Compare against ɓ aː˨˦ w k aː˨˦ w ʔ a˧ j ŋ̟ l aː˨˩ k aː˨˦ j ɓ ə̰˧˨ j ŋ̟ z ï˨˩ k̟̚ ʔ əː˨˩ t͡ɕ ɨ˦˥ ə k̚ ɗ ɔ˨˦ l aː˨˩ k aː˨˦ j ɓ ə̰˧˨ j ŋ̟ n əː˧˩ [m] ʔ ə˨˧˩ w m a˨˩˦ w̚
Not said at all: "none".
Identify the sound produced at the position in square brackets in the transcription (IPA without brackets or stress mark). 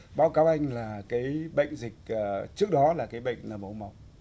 m